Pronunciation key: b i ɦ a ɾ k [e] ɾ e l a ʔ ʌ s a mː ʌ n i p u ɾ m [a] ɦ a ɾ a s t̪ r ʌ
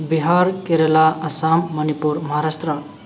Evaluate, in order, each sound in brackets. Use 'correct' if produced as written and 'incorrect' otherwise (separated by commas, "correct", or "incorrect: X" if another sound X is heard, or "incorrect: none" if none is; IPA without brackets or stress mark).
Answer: correct, incorrect: ʌ